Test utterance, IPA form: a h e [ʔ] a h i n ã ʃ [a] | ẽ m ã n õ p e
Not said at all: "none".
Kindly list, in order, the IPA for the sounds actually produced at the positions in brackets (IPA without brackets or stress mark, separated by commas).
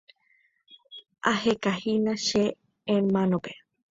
k, e